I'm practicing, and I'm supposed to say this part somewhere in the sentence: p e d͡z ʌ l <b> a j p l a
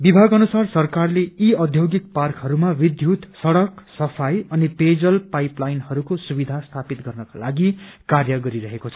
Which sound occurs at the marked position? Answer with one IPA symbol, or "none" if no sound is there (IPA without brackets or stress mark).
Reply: p